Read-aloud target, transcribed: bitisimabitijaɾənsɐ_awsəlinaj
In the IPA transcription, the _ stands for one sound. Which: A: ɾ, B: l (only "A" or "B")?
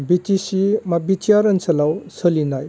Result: B